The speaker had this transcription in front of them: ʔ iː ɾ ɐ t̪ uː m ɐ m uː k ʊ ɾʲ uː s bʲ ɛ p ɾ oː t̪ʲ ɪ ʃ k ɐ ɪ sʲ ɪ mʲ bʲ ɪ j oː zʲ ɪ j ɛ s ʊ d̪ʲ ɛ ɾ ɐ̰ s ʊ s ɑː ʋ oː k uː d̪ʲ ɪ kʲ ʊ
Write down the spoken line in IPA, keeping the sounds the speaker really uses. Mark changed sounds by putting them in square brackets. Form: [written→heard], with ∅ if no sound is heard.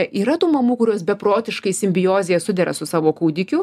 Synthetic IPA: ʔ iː ɾ ɐ t̪ uː m ɐ m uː k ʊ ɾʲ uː s bʲ ɛ p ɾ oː t̪ʲ ɪ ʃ k ɐ ɪ sʲ ɪ mʲ bʲ ɪ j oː zʲ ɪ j ɛ s ʊ d̪ʲ ɛ ɾ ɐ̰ s ʊ s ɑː ʋ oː k uː d̪ʲ ɪ kʲ ʊ